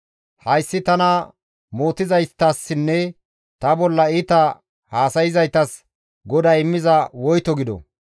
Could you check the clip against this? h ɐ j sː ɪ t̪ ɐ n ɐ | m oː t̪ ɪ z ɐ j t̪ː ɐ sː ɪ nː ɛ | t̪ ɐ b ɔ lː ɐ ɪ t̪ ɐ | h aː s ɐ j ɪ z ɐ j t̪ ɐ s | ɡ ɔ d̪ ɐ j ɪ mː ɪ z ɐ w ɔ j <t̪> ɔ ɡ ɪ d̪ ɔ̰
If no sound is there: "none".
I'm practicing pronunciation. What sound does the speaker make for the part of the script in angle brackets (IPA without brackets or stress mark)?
t̪